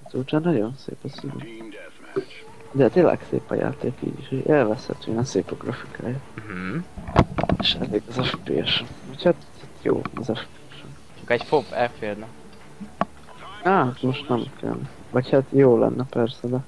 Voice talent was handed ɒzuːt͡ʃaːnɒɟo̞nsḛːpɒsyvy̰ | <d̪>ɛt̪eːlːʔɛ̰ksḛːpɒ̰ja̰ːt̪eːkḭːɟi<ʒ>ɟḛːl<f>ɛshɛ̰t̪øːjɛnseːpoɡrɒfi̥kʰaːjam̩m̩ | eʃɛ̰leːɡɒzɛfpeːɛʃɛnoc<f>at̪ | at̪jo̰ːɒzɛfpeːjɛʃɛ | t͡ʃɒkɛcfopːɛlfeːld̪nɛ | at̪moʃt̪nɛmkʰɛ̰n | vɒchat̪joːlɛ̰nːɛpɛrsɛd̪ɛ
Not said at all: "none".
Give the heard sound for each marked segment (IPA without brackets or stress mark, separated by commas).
d̪, ʃ, v, h